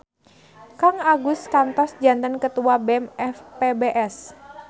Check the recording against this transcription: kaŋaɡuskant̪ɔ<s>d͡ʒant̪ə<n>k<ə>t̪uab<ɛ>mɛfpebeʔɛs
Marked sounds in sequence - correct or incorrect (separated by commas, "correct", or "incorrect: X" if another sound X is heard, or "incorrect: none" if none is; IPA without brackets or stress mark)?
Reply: correct, correct, correct, correct